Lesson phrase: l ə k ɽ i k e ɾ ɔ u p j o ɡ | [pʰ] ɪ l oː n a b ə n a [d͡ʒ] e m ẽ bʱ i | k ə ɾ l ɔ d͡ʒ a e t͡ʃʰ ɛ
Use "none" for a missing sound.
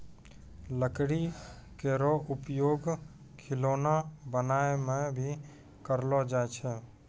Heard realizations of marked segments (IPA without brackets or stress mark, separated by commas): kʰ, none